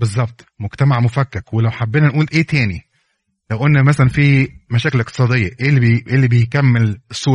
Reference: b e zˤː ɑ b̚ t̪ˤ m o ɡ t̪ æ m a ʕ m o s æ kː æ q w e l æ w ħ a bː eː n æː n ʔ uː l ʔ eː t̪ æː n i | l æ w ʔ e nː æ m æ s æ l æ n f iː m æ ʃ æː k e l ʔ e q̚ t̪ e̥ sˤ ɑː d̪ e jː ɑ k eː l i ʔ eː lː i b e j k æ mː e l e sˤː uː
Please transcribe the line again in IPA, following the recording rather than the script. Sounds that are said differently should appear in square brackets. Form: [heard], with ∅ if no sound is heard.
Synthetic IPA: b e zˤː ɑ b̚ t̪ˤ m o ɡ t̪ æ m a ʕ m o [f] æ kː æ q w e l æ w ħ a bː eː n [æ] n ʔ uː l ʔ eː t̪ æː n i | l æ w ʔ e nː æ m æ s æ l æ n f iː m æ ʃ æː k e l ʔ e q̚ t̪ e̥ sˤ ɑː d̪ e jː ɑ [ʔ] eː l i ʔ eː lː i b e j k æ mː e l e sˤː uː